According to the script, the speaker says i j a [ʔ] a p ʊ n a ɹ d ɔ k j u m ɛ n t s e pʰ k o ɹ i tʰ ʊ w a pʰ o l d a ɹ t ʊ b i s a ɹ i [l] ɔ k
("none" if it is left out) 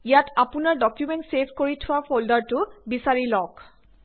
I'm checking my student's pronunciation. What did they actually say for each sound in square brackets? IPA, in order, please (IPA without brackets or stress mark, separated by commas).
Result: t, l